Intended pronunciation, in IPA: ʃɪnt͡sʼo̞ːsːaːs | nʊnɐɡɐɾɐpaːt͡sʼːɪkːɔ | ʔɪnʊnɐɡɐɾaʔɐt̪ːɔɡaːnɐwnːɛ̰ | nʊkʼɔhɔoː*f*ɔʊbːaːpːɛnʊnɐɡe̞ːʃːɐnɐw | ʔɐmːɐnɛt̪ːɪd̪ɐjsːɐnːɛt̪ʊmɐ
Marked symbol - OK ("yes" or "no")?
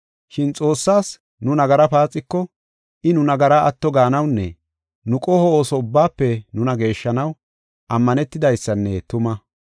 no